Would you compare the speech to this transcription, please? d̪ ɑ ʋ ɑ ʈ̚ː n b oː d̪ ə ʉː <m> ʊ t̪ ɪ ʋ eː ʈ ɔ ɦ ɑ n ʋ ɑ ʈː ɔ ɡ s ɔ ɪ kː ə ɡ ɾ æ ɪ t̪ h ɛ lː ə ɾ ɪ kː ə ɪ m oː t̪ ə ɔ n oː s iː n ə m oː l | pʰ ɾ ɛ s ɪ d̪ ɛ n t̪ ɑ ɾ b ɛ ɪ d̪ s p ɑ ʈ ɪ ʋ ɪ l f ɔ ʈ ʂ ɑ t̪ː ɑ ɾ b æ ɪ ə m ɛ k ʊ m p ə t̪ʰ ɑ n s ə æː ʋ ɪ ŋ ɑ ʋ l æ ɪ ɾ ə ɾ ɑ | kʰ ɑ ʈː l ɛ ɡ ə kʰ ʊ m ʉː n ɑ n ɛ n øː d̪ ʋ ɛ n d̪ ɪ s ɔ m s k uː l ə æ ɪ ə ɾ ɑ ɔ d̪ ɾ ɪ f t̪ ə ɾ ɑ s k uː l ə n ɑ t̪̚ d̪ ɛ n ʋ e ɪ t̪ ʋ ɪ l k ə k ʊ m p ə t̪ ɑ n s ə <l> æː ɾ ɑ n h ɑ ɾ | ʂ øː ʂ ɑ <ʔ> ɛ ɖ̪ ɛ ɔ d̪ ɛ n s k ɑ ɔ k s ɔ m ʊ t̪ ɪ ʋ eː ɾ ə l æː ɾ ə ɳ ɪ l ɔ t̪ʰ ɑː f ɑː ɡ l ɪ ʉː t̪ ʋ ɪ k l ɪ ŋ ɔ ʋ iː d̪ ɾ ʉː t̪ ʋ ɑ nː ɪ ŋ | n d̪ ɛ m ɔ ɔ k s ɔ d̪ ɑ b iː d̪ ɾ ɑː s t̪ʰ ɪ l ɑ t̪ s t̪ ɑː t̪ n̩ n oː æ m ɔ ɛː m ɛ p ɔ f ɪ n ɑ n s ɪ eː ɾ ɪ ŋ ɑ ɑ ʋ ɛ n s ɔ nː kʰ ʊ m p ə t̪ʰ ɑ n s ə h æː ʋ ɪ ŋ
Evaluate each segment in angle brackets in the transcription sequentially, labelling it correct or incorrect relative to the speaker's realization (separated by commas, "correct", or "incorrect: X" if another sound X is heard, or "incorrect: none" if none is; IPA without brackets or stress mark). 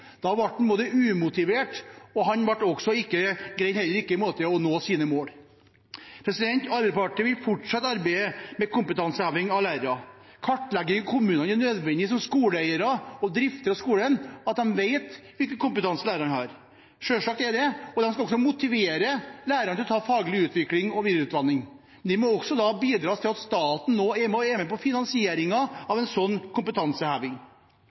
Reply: correct, correct, incorrect: k